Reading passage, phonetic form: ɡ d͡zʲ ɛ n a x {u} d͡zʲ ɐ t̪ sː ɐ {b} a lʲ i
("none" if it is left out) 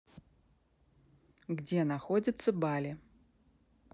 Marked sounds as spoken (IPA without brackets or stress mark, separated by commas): ɔ, b